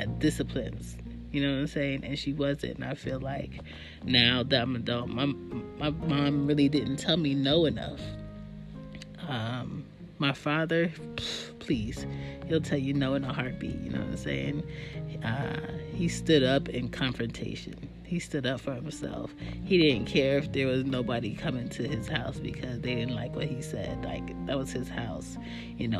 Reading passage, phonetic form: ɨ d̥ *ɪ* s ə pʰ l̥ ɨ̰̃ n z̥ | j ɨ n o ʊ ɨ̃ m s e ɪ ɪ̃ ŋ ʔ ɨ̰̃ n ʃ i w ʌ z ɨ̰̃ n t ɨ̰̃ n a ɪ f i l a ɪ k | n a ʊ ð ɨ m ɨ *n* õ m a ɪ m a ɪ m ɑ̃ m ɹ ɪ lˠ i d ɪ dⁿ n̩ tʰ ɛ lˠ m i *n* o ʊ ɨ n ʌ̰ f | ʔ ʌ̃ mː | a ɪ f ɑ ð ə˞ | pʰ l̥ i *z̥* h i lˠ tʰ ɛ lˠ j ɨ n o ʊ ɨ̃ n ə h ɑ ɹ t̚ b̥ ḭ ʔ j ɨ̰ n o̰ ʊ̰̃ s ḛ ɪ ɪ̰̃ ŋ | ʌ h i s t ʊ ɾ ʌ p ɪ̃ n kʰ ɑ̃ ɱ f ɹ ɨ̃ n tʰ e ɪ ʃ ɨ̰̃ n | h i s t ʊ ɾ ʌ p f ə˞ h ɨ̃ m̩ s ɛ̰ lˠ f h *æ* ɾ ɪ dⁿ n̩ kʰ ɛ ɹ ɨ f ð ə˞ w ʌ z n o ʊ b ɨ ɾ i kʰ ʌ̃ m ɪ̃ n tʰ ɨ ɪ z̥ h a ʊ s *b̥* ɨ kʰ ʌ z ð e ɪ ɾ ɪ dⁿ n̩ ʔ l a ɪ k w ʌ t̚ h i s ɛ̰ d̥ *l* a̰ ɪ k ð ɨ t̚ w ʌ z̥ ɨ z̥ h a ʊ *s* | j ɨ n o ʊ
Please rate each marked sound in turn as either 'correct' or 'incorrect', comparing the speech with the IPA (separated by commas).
correct, incorrect, correct, correct, incorrect, correct, correct, correct